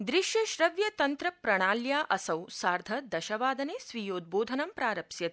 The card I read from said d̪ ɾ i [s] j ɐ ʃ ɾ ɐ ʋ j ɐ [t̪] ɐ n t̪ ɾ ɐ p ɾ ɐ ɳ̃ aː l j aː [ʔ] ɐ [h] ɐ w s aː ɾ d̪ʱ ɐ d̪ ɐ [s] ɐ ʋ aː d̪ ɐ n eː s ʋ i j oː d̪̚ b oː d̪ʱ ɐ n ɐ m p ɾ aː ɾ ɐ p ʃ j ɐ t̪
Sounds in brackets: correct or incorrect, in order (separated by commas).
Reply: incorrect, correct, correct, incorrect, incorrect